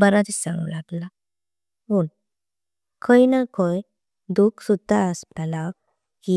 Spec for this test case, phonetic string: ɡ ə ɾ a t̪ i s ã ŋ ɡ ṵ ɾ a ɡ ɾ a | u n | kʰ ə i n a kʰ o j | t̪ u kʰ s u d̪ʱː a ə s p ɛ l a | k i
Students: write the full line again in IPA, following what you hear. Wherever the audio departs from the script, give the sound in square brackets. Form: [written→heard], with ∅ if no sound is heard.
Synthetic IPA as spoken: [ɡ→b] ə ɾ a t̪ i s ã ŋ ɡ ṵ [ɾ→l] a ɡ [ɾ→l] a | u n | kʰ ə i n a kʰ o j | [t̪→d̪] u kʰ s u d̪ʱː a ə s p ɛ l a | k i